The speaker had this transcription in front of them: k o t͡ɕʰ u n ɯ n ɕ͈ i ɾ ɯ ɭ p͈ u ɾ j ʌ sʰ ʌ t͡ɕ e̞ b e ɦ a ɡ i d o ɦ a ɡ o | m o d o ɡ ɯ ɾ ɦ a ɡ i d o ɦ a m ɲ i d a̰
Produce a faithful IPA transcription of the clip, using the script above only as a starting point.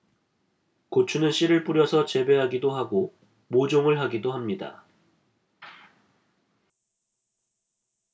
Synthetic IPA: k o t͡ɕʰ u n ɯ n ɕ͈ i ɾ ɯ ɭ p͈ u ɾ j ʌ sʰ ʌ t͡ɕ e̞ b e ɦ a ɡ i d o ɦ a ɡ o | m o d͡ʑ o ŋ ɯ ɭ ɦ a ɡ i d o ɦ a m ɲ i d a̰

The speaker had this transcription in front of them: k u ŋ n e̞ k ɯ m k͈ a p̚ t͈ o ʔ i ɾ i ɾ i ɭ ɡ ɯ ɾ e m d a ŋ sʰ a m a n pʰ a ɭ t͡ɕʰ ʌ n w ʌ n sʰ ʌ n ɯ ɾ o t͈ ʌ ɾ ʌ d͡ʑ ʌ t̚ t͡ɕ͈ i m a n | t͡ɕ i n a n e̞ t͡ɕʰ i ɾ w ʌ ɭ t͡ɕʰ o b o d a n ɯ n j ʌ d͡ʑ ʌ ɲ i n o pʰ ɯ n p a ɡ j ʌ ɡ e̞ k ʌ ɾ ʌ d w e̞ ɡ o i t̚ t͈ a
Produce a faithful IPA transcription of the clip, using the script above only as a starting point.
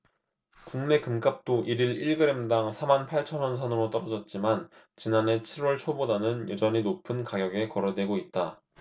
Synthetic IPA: k u ŋ n e̞ k ɯ m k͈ a p̚ t͈ o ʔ i ɾ i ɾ i ɭ ɡ ɯ ɾ e m d a ŋ sʰ a m a n pʰ a ɭ t͡ɕʰ ʌ n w ʌ n sʰ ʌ n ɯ ɾ o t͈ ʌ ɾ ʌ d͡ʑ ʌ t̚ t͡ɕ͈ i m a n | t͡ɕ i n a n e̞ t͡ɕʰ i ɾ w ʌ ɭ t͡ɕʰ o b o d a n ɯ n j ʌ d͡ʑ ʌ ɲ i n o pʰ ɯ n k a ɡ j ʌ ɡ e̞ k ʌ ɾ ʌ d w e̞ ɡ o i t̚ t͈ a

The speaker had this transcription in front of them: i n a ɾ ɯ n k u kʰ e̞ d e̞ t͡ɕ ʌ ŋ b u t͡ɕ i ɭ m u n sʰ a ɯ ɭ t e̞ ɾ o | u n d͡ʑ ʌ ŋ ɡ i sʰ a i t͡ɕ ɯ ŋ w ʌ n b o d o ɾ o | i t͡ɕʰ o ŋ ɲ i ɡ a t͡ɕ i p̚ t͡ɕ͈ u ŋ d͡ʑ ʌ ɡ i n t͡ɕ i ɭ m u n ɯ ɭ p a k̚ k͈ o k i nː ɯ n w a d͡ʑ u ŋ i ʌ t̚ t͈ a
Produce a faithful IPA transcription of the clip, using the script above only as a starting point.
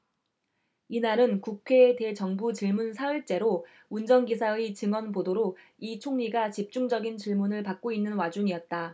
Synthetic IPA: i n a ɾ ɯ n k u kʰ e̞ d e̞ t͡ɕ ʌ ŋ b u t͡ɕ i ɭ m u n sʰ a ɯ ɭ t͡ɕ͈ e̞ ɾ o | u n d͡ʑ ʌ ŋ ɡ i sʰ a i t͡ɕ ɯ ŋ w ʌ n b o d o ɾ o | i t͡ɕʰ o ŋ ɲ i ɡ a t͡ɕ i p̚ t͡ɕ͈ u ŋ d͡ʑ ʌ ɡ i n t͡ɕ i ɭ m u n ɯ ɭ p a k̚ k͈ o i nː ɯ n w a d͡ʑ u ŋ i ʌ t̚ t͈ a

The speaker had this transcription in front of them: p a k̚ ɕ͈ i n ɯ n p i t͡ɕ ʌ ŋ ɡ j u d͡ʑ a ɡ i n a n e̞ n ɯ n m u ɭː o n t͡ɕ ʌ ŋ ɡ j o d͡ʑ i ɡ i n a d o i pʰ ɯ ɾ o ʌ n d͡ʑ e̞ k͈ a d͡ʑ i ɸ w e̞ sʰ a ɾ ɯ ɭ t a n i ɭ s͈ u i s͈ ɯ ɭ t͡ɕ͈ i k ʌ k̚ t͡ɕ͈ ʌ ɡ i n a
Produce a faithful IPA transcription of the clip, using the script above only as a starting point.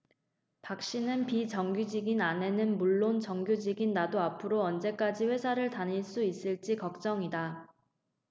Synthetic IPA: p a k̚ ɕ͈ i n ɯ n p i t͡ɕ ʌ ŋ ɡ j u d͡ʑ i ɡ i n a n e̞ n ɯ n m u ɭː o n t͡ɕ ʌ ŋ ɡ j u d͡ʑ i ɡ i nː a d o a pʰ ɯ ɾ o ʌ n d͡ʑ e̞ k͈ a d͡ʑ i ɸ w e̞ sʰ a ɾ ɯ ɭ t a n i ɭ s͈ u i s͈ ɯ ɭ t͡ɕ͈ i k ʌ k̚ t͡ɕ͈ ʌ ŋ i d a

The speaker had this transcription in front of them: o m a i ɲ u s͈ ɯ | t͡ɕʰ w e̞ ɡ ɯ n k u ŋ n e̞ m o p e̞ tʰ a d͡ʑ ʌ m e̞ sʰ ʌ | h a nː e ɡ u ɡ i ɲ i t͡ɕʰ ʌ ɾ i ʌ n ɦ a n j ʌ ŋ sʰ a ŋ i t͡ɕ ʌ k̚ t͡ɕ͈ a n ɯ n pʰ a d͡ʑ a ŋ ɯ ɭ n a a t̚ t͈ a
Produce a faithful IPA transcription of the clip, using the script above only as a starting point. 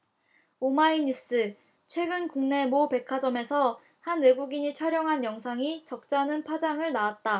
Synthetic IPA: o m a i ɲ u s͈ ɯ | t͡ɕʰ w e̞ ɡ ɯ n k u ŋ n e̞ m o p e̞ kʰ a d͡ʑ ʌ m e̞ sʰ ʌ | h a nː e ɡ u ɡ i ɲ i t͡ɕʰ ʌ ɾ j ʌ ŋ ɦ a n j ʌ ŋ sʰ a ŋ i t͡ɕ ʌ k̚ t͡ɕ͈ a n ɯ n pʰ a d͡ʑ a ŋ ɯ ɭ n a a t̚ t͈ a

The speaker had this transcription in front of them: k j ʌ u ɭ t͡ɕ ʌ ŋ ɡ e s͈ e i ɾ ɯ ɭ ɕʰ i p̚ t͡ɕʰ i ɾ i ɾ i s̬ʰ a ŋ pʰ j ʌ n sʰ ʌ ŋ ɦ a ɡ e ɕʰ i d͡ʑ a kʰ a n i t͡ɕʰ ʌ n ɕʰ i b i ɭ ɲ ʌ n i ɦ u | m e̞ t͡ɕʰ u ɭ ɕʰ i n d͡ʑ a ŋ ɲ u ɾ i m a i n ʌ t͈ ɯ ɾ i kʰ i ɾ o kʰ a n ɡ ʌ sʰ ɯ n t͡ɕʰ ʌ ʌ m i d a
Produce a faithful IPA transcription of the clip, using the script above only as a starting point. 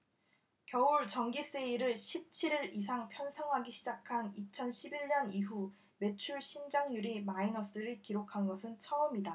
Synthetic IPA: k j ʌ u ɭ t͡ɕ ʌ ŋ ɡ i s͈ e i ɾ ɯ ɭ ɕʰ i p̚ t͡ɕʰ i ɾ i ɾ i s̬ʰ a ŋ pʰ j ʌ n sʰ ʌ ŋ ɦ a ɡ i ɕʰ i d͡ʑ a kʰ a n i t͡ɕʰ ʌ n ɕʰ i b i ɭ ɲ ʌ n i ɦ u | m e̞ t͡ɕʰ u ɭ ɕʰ i n d͡ʑ a ŋ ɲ u ɾ i m a i n ʌ s͈ ɯ ɾ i k i ɾ o kʰ a n ɡ ʌ sʰ ɯ n t͡ɕʰ ʌ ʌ m i d a

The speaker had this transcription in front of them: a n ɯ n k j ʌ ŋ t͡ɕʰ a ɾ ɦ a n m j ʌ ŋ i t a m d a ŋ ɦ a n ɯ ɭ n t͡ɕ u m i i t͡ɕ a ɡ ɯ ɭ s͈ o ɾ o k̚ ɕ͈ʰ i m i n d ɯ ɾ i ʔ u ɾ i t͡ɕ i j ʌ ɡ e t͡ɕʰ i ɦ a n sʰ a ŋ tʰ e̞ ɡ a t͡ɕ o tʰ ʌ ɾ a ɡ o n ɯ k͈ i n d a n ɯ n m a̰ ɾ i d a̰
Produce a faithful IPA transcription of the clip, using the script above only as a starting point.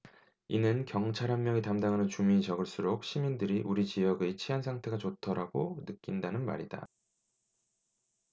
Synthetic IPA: i n ɯ n k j ʌ ŋ t͡ɕʰ a ɾ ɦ a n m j ʌ ŋ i t a m d a ŋ ɦ a n ɯ n t͡ɕ u m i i t͡ɕ ʌ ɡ ɯ ɭ s͈ u ɾ o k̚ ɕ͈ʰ i m i n d ɯ ɾ i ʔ u ɾ i t͡ɕ i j ʌ ɡ e t͡ɕʰ i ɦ a n sʰ a ŋ tʰ e̞ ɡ a t͡ɕ o tʰ ʌ ɾ a ɡ o n ɯ k͈ i n d a n ɯ n m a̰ ɾ i d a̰

